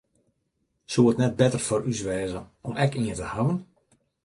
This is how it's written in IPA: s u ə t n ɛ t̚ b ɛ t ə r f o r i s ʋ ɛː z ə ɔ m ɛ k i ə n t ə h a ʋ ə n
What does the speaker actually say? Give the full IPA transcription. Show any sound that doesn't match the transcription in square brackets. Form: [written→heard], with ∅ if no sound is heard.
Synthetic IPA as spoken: s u ə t n ɛ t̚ b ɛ t ə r f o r [i→y] s ʋ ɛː z ə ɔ m ɛ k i ə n t ə h a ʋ ə n